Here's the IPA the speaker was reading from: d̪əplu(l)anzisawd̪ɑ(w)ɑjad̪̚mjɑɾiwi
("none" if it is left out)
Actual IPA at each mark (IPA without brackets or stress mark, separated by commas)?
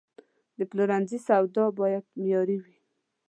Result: ɾ, b